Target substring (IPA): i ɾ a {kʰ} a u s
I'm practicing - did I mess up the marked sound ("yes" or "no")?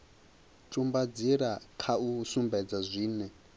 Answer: no